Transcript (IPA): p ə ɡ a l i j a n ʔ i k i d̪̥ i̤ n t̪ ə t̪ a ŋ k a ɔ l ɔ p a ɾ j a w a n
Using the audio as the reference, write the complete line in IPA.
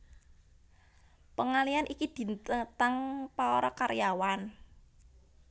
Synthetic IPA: p ə ŋ a l i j a n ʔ i k i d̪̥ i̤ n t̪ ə t̪ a ŋ p a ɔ ɾ ɔ k a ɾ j a w a n